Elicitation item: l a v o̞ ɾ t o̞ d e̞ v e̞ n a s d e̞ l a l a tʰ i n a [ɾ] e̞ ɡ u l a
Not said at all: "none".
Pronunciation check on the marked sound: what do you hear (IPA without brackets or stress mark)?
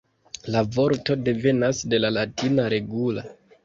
ɾ